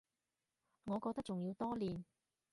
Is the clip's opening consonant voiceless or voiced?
voiced